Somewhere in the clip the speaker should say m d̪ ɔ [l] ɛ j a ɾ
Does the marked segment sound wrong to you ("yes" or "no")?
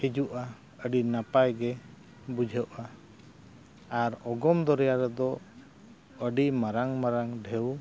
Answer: yes